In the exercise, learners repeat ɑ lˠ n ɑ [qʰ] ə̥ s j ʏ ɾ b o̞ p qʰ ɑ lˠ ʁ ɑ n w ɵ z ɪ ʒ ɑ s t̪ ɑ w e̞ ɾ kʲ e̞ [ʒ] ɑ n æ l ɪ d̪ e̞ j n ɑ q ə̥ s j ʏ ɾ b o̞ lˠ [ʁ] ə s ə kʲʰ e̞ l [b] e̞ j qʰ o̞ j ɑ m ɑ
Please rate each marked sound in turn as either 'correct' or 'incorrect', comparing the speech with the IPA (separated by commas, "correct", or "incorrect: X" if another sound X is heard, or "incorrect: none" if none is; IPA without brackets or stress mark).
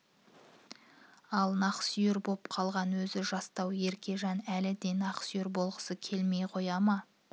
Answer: incorrect: q, correct, correct, incorrect: m